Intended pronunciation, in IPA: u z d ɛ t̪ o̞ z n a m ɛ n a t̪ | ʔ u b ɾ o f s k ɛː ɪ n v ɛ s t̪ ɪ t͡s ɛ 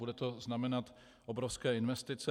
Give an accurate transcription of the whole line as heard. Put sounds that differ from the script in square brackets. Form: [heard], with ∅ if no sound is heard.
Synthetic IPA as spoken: u [∅] d ɛ t̪ o̞ z n a m ɛ n a t̪ | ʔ [o] b ɾ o f s k ɛː ɪ n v ɛ s t̪ ɪ t͡s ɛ